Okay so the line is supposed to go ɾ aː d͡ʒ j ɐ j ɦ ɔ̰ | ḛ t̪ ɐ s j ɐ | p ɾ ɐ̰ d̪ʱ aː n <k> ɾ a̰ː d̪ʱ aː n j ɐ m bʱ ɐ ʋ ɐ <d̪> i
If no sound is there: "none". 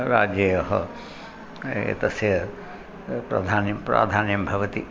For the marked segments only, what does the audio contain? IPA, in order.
p, t̪

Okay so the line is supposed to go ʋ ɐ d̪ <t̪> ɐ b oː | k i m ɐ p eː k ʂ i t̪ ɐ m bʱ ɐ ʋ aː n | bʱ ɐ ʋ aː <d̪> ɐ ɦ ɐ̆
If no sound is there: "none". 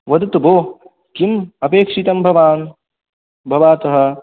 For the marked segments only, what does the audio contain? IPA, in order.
t̪, t̪

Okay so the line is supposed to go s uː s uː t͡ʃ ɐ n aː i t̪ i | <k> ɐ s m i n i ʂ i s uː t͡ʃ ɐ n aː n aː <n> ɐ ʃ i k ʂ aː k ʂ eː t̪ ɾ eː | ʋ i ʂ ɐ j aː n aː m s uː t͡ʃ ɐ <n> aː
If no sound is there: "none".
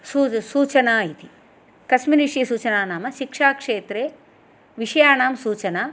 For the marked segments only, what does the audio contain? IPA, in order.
k, m, n

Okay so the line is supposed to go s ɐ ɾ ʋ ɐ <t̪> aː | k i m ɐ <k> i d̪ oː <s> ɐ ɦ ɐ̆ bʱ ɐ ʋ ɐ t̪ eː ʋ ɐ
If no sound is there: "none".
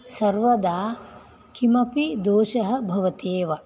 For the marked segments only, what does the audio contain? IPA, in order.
d̪, p, ʃ

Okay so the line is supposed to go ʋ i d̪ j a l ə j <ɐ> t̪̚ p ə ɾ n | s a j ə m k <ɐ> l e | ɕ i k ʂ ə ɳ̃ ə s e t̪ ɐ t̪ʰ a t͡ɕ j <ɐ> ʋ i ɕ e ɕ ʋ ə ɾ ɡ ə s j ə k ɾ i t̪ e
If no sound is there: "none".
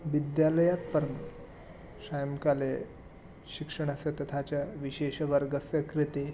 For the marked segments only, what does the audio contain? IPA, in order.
a, a, a

